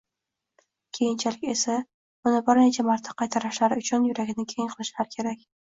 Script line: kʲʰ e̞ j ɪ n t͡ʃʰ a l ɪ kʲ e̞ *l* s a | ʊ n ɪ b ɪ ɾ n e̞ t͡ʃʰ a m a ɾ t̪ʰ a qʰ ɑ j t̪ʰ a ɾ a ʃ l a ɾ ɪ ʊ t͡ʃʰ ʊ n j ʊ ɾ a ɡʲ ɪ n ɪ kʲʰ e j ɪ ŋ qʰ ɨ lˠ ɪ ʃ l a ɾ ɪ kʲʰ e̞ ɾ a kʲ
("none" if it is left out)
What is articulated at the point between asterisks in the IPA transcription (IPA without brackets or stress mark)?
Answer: none